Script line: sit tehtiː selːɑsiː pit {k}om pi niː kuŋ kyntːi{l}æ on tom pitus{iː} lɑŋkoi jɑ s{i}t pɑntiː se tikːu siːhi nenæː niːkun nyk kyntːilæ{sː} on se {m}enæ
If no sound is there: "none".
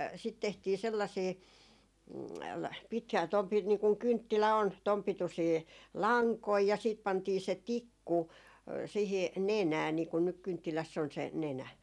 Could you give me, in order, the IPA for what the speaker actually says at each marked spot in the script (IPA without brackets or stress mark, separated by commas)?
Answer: t, l, iː, iː, sː, n